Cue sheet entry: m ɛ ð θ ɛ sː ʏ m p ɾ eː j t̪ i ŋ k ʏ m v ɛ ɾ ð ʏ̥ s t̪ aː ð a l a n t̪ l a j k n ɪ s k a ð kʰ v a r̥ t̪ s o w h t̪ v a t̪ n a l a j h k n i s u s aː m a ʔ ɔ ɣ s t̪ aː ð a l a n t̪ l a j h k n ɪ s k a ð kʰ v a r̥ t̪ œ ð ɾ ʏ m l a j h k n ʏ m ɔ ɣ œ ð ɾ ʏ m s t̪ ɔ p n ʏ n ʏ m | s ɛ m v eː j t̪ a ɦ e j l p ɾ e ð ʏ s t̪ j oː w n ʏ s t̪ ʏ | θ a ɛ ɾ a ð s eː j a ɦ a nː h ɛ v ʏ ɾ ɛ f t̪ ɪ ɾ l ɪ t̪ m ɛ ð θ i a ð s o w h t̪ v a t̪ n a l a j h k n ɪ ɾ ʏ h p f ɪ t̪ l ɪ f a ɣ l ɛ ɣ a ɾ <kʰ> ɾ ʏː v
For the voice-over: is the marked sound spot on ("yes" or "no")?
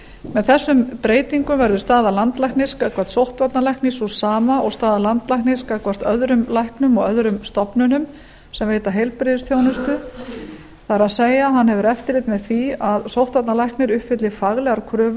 yes